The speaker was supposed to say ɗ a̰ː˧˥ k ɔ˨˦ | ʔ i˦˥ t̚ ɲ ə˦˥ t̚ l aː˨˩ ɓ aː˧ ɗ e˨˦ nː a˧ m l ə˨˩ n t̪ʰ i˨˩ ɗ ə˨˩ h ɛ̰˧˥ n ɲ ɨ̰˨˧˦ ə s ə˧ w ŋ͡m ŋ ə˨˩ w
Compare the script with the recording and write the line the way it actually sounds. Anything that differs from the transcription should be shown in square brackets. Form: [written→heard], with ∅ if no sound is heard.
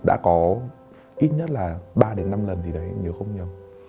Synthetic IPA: ɗ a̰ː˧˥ k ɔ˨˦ | ʔ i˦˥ t̚ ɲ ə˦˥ t̚ l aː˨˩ ɓ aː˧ ɗ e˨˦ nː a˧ m l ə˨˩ n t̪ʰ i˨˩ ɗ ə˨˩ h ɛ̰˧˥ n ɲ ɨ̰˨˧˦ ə [s→x] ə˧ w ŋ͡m [ŋ→ɲ] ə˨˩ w